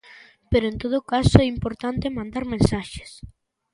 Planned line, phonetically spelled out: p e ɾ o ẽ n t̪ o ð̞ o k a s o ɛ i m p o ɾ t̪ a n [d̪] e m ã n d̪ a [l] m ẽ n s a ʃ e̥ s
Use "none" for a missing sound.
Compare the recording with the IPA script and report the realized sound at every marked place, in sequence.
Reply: t̪, ɾ

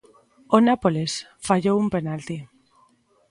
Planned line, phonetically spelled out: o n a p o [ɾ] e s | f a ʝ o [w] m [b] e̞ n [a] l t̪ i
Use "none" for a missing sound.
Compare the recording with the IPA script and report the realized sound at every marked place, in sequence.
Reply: l, u, p, a

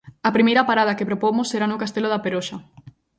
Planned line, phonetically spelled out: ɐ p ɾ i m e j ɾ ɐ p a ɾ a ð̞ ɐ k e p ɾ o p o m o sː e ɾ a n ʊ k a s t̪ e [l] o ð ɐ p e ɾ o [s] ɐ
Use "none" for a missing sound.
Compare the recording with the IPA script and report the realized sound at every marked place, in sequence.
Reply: l, ʃ

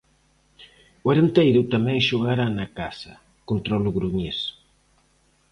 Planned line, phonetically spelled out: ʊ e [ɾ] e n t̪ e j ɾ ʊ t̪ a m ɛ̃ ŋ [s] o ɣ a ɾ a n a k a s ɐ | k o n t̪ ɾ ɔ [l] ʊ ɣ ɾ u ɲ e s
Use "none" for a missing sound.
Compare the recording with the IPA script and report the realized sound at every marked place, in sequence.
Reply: ɾ, ʃ, l

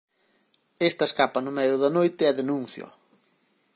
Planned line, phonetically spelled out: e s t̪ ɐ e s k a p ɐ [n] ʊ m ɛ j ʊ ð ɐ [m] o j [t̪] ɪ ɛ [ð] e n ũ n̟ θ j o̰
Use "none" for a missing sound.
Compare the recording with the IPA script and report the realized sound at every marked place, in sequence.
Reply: n, n, t̪, ð

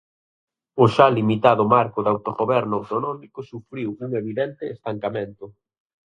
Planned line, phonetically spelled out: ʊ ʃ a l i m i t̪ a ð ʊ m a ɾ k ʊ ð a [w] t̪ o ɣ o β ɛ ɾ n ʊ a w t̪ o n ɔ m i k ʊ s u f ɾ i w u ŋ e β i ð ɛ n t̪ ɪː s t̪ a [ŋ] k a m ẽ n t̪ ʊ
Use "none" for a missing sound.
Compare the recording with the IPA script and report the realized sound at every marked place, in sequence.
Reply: w, ŋ

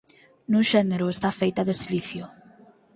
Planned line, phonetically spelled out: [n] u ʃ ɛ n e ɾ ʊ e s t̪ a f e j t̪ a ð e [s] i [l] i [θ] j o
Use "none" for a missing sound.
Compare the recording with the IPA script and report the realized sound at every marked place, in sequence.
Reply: n, s, l, θ

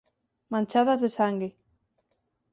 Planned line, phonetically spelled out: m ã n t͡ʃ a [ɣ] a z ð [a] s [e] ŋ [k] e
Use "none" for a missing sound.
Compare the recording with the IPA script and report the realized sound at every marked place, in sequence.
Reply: ð, e, a, ɡ

